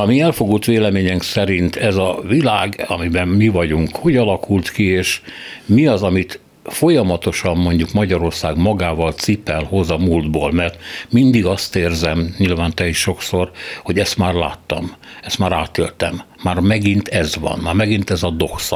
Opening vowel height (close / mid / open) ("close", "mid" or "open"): open